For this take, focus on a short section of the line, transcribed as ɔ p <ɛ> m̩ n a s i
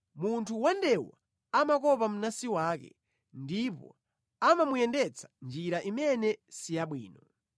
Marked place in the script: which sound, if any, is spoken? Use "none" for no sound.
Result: a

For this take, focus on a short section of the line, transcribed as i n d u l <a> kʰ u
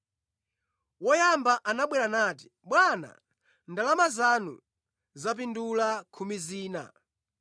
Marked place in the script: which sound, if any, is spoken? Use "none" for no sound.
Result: a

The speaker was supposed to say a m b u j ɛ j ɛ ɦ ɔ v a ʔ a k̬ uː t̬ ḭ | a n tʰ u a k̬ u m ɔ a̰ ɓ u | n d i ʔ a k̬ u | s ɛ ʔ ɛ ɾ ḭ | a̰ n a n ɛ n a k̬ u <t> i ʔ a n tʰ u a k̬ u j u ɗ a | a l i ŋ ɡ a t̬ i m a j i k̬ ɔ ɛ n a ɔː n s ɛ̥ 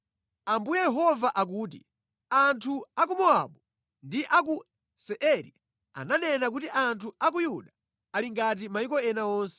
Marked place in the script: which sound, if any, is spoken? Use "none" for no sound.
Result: t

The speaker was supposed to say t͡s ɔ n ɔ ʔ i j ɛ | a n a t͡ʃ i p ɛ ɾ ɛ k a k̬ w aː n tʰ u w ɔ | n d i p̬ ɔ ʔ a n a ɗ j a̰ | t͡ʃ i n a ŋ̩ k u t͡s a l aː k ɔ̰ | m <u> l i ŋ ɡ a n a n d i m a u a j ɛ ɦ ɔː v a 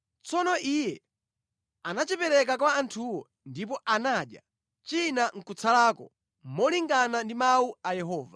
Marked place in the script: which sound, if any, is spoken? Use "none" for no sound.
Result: ɔ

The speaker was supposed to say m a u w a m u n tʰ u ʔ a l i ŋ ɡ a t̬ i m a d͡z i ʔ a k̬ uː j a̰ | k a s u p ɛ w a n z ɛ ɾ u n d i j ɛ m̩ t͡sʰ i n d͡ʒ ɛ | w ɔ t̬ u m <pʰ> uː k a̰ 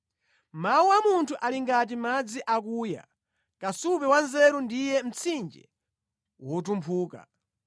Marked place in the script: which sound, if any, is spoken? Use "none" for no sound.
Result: pʰ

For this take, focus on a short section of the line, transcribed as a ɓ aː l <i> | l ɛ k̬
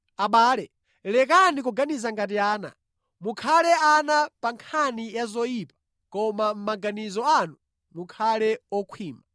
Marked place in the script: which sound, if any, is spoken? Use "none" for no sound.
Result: ɛ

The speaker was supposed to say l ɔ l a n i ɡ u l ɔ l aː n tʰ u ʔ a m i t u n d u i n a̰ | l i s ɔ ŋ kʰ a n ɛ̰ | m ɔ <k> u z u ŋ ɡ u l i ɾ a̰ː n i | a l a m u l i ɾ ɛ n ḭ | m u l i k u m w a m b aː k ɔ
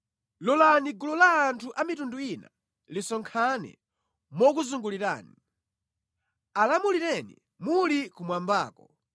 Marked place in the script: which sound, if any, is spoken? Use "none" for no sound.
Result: k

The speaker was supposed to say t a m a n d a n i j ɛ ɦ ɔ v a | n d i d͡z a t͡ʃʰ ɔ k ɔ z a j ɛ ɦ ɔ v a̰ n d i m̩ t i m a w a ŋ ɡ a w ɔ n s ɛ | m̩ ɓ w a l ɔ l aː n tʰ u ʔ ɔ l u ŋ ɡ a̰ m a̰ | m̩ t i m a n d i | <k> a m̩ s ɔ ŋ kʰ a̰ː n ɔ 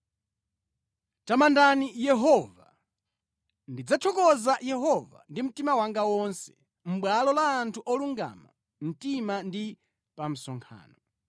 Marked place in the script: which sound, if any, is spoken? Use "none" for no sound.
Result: p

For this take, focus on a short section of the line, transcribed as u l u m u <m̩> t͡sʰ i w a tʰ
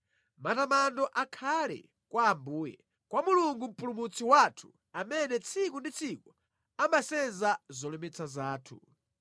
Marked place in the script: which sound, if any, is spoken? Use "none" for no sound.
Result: none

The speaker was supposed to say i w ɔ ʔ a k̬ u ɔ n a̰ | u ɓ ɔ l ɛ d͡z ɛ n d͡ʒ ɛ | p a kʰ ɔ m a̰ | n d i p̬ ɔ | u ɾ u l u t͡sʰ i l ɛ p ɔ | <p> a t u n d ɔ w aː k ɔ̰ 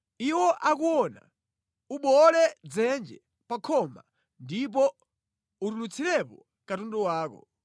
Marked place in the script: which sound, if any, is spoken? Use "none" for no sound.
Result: k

